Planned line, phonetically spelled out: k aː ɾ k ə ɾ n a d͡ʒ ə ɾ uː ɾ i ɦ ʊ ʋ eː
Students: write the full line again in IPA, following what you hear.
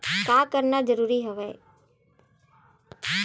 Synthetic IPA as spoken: k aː k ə ɾ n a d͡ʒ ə ɾ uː ɾ i ɦ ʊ ʋ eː